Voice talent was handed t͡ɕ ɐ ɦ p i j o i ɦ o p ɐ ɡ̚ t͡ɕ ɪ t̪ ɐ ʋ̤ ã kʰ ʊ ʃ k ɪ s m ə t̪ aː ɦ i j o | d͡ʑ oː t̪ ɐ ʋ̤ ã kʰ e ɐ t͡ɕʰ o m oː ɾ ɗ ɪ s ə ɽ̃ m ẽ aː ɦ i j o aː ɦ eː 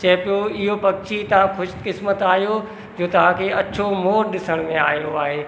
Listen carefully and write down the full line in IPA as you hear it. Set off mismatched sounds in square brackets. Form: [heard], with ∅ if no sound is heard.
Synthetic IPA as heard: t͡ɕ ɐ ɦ p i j o [ɪ] ɦ o p ɐ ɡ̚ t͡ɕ [i] t̪ ɐ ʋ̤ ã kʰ ʊ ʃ k ɪ s m ə t̪ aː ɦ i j o | d͡ʑ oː t̪ ɐ ʋ̤ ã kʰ e ɐ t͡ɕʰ o m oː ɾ ɗ ɪ s ə ɽ̃ m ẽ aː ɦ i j o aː ɦ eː